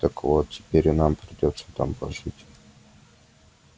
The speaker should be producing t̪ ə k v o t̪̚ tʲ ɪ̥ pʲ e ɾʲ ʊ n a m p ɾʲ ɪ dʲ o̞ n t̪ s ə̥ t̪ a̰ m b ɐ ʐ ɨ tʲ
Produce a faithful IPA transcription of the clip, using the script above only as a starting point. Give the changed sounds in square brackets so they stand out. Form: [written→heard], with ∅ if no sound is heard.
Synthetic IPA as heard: t̪ ə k v o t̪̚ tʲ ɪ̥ pʲ e ɾʲ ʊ n a m p ɾʲ ɪ dʲ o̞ [n→∅] t̪ s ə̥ t̪ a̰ m [b→p] ɐ ʐ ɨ tʲ